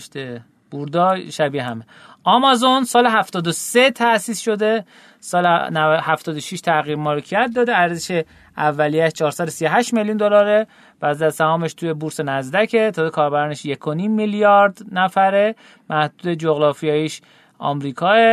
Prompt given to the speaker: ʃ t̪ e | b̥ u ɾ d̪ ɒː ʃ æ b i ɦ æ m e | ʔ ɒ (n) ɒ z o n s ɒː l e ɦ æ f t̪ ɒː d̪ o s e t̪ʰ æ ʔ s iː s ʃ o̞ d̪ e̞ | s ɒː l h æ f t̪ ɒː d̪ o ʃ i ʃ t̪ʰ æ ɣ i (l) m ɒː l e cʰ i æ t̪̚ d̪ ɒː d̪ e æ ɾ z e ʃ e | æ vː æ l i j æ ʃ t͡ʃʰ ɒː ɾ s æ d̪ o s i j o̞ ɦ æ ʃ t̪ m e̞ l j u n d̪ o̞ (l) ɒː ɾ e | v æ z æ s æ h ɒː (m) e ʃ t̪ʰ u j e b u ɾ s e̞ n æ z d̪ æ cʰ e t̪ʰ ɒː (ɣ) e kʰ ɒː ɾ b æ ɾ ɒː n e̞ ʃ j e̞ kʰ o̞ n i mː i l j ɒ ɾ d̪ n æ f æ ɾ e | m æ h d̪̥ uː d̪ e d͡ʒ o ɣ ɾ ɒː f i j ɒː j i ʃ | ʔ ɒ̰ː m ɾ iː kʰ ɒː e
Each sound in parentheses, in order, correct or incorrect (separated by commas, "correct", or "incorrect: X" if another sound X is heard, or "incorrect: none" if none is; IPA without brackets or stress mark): incorrect: m, incorrect: ɾ, correct, correct, incorrect: z